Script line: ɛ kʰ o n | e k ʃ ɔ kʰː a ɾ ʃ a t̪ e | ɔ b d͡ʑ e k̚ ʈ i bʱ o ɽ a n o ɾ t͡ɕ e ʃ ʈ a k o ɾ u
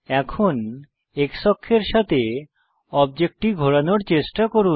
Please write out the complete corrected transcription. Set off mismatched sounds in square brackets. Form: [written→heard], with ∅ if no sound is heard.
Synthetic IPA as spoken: ɛ kʰ o n | e k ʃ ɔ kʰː [a→e] ɾ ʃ a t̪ e | ɔ b d͡ʑ e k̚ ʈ i [bʱ→ɡʱ] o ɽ a n o ɾ t͡ɕ e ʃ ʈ a k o ɾ u